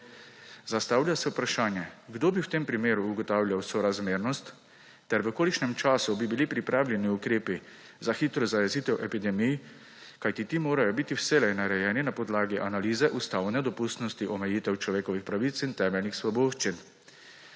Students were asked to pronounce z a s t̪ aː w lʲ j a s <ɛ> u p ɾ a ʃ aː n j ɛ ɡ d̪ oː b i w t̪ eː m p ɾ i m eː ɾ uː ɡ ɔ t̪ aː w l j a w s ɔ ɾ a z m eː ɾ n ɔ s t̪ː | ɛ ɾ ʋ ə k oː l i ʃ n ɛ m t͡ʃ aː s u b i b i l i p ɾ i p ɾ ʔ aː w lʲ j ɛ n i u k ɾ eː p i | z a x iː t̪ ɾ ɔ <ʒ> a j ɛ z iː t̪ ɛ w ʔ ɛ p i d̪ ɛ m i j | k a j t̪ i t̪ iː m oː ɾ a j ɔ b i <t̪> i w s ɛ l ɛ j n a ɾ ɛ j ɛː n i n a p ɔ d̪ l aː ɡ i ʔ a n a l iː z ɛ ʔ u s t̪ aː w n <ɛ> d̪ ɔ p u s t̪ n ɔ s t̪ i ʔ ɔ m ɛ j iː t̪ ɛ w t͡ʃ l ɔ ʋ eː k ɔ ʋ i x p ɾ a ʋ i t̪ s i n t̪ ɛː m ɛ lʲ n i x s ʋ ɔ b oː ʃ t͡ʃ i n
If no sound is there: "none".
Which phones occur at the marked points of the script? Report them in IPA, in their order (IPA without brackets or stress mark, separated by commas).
ɛ, z, t̪, ɛ